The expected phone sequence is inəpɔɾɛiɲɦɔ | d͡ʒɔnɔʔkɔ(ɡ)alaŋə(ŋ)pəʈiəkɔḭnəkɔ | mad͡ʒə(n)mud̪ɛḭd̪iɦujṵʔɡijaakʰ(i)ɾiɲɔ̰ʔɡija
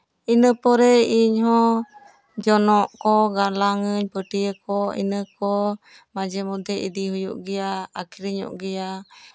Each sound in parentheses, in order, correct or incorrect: correct, incorrect: ɲ, incorrect: none, correct

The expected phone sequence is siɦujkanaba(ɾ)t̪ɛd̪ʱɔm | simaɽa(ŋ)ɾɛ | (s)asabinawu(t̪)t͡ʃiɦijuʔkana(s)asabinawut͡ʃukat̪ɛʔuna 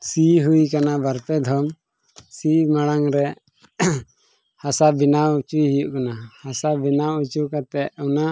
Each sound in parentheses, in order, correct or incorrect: correct, correct, incorrect: h, incorrect: none, incorrect: h

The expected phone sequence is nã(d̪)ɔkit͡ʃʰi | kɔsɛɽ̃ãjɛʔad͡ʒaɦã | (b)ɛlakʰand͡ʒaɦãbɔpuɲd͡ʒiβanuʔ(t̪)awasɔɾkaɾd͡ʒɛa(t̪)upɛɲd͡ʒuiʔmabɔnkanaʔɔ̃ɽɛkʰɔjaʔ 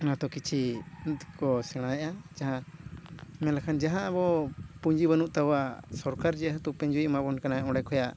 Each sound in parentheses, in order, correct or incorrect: incorrect: t̪, incorrect: m, correct, correct

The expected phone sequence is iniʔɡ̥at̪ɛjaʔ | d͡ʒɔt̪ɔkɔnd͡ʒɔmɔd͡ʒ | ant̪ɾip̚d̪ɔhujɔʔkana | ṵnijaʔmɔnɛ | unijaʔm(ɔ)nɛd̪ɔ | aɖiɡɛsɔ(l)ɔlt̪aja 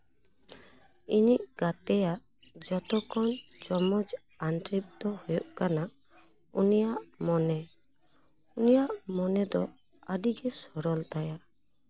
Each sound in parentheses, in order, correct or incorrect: correct, incorrect: ɾ

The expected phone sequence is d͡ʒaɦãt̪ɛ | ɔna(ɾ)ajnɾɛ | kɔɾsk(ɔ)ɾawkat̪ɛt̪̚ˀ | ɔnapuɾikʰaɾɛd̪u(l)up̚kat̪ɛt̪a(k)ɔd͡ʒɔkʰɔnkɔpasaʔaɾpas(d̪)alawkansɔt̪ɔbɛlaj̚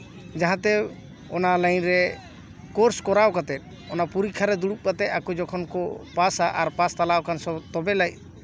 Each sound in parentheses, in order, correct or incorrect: incorrect: l, correct, incorrect: ɽ, correct, incorrect: t̪

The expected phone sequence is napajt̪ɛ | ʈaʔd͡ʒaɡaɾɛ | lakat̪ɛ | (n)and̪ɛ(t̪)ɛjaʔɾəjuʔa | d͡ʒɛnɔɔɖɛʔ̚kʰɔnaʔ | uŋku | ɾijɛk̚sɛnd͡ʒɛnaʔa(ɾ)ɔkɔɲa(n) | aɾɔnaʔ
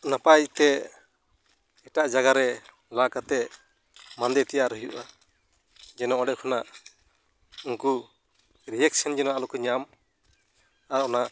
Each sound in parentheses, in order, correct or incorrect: incorrect: m, correct, incorrect: l, incorrect: m

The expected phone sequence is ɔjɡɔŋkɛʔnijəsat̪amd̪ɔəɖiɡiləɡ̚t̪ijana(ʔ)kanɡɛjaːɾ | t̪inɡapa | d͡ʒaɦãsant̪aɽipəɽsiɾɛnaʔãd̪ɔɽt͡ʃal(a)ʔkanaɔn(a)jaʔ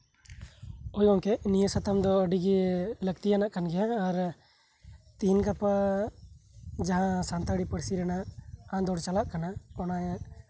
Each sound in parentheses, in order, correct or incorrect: correct, correct, correct

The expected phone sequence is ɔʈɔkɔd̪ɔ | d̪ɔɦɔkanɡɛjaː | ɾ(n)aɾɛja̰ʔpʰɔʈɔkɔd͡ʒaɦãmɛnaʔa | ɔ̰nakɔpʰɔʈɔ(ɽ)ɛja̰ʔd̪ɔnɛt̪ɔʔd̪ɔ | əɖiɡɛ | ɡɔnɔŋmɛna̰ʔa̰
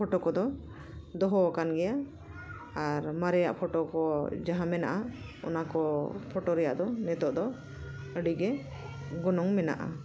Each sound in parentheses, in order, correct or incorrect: incorrect: m, incorrect: ɾ

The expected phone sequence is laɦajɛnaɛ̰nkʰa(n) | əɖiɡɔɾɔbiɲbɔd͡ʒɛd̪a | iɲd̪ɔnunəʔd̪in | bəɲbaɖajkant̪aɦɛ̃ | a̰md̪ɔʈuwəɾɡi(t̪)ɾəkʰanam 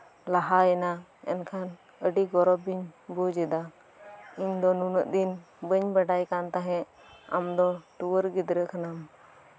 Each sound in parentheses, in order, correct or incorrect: correct, incorrect: d̪

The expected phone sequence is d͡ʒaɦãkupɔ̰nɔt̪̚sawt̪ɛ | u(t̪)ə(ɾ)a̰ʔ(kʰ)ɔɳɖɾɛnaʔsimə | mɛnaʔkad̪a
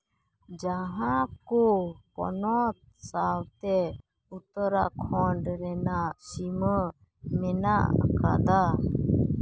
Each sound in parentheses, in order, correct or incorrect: correct, correct, correct

